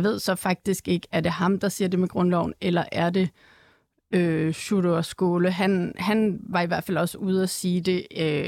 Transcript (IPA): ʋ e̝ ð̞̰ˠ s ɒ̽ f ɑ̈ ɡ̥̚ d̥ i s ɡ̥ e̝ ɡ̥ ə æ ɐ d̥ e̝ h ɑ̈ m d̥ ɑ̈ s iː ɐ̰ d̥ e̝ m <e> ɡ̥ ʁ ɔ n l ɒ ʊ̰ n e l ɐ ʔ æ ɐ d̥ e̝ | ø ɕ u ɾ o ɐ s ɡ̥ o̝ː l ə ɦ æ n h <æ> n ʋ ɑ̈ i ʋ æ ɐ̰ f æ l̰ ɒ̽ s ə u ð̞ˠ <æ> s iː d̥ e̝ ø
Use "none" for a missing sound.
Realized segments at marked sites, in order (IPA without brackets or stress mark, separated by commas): e, æ, æ